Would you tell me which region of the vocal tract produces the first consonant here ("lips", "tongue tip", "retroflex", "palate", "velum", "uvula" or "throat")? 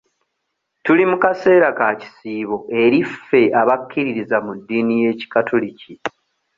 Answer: tongue tip